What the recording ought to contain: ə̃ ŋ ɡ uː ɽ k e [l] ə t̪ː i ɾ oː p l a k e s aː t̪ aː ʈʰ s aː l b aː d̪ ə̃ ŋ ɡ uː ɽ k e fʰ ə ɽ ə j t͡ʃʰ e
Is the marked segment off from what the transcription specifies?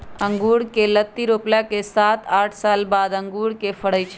no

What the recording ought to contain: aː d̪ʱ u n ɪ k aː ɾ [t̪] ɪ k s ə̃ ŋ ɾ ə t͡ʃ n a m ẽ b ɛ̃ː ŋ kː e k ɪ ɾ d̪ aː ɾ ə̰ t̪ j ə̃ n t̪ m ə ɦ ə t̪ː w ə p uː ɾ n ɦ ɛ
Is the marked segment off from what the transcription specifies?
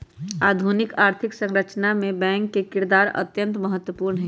yes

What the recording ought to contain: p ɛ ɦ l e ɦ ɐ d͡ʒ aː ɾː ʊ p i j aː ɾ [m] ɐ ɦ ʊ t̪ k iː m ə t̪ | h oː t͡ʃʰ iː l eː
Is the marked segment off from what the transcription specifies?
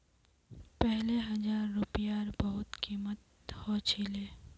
yes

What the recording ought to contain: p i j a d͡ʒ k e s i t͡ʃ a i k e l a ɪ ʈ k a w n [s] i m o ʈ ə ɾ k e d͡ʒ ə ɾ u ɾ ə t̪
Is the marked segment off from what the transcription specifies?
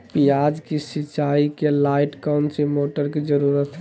no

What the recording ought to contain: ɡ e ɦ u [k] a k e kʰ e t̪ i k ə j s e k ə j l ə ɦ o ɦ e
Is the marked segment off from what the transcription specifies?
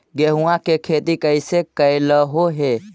yes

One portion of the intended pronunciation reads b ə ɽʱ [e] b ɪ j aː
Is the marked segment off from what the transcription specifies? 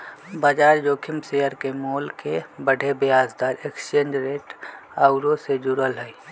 no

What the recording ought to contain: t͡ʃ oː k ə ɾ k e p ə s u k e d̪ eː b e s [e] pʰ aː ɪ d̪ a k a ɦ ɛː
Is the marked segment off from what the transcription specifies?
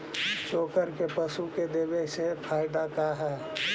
no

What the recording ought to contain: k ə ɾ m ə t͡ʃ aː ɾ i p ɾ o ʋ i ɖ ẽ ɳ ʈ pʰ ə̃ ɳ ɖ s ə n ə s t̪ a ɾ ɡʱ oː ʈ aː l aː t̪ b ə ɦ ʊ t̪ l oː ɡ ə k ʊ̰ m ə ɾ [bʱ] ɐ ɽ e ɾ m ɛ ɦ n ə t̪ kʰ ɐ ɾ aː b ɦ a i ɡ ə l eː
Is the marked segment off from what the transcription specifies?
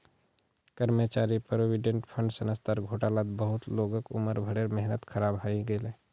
no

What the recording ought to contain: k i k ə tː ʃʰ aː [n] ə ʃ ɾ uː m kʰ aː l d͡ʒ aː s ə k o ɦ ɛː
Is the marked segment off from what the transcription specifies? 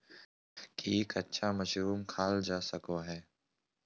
yes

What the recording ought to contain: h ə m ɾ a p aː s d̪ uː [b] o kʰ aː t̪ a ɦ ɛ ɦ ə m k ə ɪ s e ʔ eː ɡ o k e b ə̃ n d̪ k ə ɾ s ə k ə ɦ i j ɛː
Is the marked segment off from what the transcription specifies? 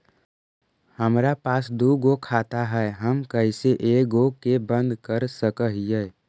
yes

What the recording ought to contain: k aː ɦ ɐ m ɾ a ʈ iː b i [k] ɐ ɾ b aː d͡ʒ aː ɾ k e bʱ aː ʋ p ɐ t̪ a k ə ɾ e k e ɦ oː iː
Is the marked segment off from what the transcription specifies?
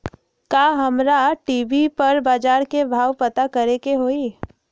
yes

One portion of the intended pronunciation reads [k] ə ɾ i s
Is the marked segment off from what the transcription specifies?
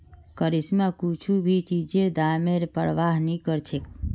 no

